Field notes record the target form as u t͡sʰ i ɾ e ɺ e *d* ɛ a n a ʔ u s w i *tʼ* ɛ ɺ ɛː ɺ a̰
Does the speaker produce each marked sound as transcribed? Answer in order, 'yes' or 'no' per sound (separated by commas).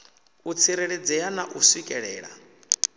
no, no